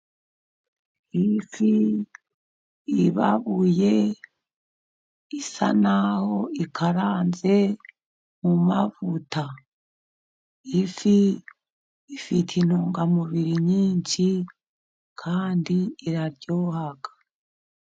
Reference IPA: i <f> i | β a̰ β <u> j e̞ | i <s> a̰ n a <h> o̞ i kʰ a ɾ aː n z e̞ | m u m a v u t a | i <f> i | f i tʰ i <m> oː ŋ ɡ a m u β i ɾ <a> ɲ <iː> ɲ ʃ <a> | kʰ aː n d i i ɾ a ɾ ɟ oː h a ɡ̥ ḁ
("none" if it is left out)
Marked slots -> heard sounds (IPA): f, u, s, h, f, n, i, iː, i

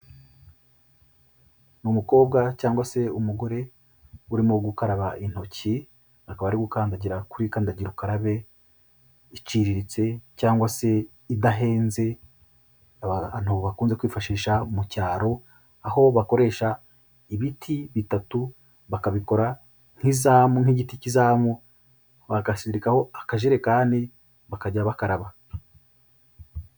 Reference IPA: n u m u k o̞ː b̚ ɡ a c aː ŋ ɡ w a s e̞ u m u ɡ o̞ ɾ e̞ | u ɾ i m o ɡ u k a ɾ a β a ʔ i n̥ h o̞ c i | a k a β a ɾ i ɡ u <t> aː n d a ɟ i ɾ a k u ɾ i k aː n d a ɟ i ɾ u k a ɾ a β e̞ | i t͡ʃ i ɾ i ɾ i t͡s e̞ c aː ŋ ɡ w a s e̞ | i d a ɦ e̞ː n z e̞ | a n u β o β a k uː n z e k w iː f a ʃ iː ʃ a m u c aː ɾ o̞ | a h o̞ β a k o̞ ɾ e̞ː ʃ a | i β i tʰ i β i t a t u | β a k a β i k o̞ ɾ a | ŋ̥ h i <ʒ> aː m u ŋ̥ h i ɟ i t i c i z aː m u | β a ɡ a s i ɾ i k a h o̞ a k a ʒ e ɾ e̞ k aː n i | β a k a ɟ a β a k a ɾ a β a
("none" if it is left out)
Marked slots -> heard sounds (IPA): k, z

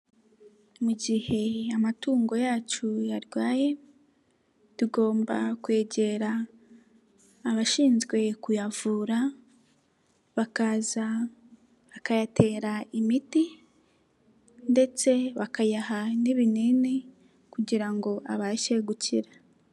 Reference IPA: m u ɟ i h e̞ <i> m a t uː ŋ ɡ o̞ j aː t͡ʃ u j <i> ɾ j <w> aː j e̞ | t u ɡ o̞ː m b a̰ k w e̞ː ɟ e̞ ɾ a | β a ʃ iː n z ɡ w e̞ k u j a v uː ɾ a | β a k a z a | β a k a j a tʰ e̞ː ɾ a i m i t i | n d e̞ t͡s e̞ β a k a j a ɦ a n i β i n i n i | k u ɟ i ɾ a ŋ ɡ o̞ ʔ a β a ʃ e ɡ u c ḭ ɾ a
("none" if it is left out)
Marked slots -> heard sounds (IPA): a, a, w

